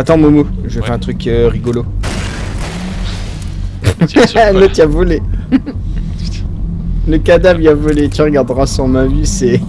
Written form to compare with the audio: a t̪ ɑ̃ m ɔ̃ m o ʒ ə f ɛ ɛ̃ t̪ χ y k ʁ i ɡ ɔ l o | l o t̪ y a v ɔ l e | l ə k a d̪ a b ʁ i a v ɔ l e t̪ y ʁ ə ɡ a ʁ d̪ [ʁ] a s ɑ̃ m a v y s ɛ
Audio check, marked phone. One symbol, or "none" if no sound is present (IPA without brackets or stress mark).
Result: ʁ